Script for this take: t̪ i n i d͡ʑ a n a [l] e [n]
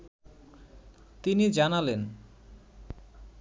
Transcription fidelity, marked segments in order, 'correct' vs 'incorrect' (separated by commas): correct, correct